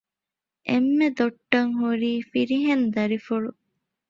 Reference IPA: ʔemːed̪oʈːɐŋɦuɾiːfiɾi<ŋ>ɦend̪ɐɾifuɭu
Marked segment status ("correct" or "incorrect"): incorrect